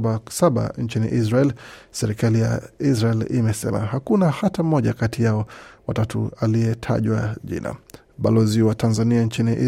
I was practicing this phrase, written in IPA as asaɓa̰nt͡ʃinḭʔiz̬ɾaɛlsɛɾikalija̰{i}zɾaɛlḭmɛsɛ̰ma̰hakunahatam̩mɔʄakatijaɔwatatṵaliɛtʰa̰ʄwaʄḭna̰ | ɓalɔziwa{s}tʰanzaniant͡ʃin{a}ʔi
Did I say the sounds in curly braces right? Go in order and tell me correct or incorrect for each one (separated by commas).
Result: correct, incorrect, incorrect